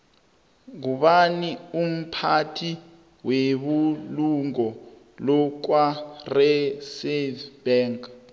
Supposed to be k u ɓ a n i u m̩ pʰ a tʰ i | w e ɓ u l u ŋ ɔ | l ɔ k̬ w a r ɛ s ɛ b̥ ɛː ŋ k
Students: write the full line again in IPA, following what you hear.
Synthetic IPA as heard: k u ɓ a n i u m̩ pʰ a tʰ i | w e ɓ u l u ŋ ɔ | l ɔ k̬ w a r ɛ s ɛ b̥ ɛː ŋ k

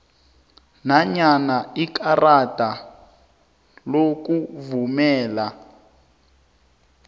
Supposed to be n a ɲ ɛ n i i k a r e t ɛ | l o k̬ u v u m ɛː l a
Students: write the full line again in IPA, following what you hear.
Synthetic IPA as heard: n a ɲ a n a i k a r a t a | l o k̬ u v u m ɛː l a

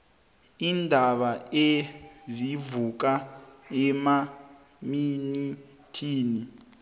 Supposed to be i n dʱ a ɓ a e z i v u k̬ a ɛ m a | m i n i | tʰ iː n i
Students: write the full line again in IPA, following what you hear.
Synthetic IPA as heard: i n dʱ a ɓ a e z i v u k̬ a ɛ m a | m i n i | tʰ iː n i

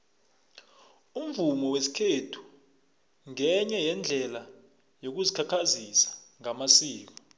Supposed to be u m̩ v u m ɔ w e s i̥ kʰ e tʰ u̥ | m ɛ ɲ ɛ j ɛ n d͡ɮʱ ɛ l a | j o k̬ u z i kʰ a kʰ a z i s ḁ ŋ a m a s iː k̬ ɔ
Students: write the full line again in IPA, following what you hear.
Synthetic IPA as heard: u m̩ v u m ɔ w e s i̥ kʰ e tʰ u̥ | ŋ ɛ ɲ ɛ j ɛ n d͡ɮʱ ɛ l a | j o k̬ u z i kʰ a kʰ a z i s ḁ ŋ a m a s iː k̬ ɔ

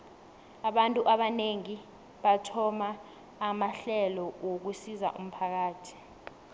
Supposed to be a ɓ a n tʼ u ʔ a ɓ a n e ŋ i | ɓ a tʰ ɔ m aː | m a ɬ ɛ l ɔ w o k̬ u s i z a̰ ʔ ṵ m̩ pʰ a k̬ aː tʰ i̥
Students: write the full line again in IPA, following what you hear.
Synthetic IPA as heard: a ɓ a n tʼ u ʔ a ɓ a n e ŋ i | ɓ a tʰ ɔ m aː | m a ɬ ɛ l ɔ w o k̬ u s i z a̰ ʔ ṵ m̩ pʰ a k̬ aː tʰ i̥

